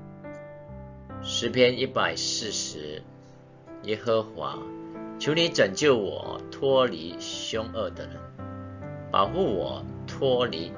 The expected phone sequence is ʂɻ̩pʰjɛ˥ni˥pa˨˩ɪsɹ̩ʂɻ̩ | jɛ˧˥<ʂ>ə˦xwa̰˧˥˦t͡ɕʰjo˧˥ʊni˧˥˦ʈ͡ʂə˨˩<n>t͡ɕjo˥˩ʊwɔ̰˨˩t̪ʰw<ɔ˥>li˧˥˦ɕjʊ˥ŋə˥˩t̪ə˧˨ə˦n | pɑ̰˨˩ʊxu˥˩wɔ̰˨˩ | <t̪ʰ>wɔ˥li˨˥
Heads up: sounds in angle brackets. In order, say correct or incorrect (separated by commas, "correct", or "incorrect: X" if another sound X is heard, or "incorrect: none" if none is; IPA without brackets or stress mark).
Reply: incorrect: x, incorrect: ŋ, correct, correct